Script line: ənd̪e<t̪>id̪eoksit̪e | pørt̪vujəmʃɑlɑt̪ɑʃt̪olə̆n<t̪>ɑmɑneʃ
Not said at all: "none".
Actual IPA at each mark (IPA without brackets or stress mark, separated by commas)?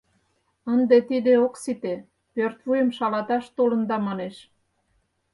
t̪, d̪